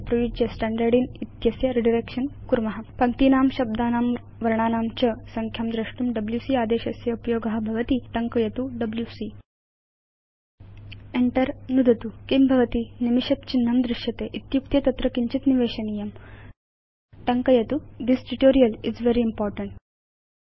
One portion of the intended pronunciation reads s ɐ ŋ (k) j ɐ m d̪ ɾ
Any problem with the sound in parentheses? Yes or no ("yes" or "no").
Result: yes